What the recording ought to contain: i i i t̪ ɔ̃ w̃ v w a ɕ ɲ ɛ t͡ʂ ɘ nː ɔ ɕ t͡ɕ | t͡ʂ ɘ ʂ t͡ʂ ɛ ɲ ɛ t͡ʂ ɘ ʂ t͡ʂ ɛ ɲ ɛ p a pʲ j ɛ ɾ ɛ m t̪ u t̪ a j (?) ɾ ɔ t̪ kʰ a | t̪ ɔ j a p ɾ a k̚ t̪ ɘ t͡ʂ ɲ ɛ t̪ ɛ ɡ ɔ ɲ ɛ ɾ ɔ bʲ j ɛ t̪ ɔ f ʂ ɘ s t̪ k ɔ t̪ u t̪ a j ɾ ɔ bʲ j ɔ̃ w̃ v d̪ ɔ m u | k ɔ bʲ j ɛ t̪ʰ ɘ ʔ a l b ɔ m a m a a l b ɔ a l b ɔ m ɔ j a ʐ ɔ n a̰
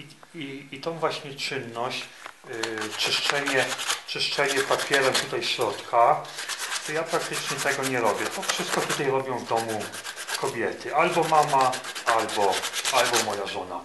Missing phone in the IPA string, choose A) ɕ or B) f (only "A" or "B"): A